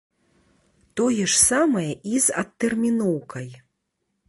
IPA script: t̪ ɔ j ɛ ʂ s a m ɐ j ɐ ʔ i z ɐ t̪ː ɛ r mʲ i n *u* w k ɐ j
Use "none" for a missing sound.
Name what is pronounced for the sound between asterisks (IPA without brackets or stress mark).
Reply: ɔ